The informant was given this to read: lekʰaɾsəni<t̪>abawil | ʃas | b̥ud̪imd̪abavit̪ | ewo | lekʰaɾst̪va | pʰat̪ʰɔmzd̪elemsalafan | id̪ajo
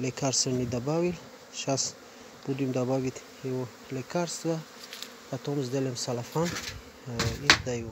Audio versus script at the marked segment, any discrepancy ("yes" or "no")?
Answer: yes